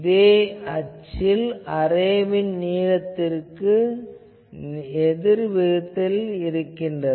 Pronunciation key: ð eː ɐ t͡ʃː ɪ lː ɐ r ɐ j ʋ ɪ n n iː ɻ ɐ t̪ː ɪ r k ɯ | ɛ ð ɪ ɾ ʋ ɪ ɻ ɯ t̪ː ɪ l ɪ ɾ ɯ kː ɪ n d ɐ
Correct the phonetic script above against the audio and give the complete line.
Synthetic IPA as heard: ð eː ɐ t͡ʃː ɪ l ɐ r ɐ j ʋ ɪ n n iː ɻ ɐ t̪ː ɪ r k ɯ | ɛ ð ɪ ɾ ʋ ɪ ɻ ɯ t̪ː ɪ l ɪ ɾ ɯ kː ɪ n d ɐ